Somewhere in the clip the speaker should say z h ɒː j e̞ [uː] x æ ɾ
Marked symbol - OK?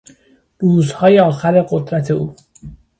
no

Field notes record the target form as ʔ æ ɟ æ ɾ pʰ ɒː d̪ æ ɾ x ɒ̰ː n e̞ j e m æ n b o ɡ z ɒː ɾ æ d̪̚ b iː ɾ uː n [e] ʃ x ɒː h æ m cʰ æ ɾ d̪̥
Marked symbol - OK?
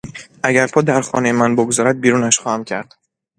no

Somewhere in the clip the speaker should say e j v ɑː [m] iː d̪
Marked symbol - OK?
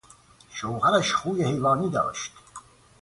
no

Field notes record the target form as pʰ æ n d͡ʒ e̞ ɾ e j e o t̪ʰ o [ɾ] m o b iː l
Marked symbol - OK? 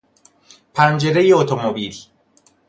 no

